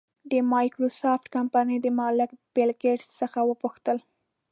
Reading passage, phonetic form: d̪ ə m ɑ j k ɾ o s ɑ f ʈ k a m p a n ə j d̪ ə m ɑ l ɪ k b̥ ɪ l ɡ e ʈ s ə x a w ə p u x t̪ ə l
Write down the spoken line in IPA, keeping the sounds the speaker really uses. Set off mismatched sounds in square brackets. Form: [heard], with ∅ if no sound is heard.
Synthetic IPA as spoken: d̪ ə m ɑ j k ɾ o s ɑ f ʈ k a m p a n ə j d̪ ə m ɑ l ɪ k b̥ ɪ l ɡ e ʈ s ə x a w ə p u x t̪ ə l